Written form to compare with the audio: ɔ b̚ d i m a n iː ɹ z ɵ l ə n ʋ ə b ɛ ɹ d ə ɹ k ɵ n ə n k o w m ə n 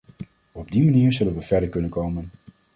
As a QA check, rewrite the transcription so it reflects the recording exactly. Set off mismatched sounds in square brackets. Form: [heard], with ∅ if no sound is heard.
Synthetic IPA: ɔ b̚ d i m a n iː ɹ z ɵ l ə n ʋ ə [v] ɛ ɹ d ə ɹ k ɵ n ə n k o w m ə n